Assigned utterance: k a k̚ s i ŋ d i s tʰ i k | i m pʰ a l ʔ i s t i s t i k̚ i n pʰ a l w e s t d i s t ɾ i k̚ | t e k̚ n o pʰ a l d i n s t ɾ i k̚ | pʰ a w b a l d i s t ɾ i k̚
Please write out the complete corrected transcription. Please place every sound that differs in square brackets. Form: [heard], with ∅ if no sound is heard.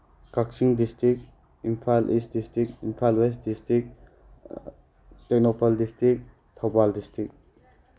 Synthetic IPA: k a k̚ s i ŋ d i s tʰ i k | i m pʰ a l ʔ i s [d] i s t i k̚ i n pʰ a l w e s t d i s t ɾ i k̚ | t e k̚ n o pʰ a l d i [∅] s t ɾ i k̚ | [tʰ] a w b a l d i s t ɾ i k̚